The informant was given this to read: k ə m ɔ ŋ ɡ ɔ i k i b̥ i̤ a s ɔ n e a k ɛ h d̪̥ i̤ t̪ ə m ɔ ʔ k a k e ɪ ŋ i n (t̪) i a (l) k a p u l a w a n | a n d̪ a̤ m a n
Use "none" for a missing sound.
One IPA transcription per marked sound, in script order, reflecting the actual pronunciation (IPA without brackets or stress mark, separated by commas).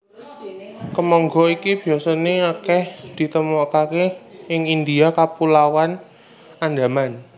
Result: d̪, none